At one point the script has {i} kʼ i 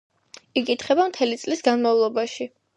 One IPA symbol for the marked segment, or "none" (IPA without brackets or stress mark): i